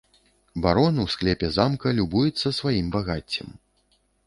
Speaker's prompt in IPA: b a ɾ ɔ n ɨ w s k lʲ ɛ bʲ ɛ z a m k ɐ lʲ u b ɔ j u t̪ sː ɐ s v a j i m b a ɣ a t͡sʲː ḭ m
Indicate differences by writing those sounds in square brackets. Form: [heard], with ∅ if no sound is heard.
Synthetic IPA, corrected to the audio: b a ɾ ɔ n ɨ w s k lʲ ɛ [pʲ] ɛ z a m k ɐ lʲ u b [u] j u t̪ sː ɐ s v a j i m b a ɣ a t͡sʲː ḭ m